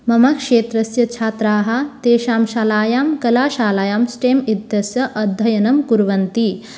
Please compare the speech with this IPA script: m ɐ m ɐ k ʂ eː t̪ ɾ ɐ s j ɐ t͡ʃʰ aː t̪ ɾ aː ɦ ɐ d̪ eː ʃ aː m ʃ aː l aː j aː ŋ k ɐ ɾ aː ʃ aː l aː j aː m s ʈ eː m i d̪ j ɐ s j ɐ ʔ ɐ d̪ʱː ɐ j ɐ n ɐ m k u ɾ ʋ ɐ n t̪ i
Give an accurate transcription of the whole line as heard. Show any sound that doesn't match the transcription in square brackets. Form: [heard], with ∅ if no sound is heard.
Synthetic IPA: m ɐ m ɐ k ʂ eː t̪ ɾ ɐ s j ɐ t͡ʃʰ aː t̪ ɾ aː ɦ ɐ [t̪] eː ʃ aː m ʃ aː l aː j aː [m] k ɐ [l] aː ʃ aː l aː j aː m s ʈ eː m i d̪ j ɐ s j ɐ ʔ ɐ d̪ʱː ɐ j ɐ n ɐ m k u ɾ ʋ ɐ n t̪ i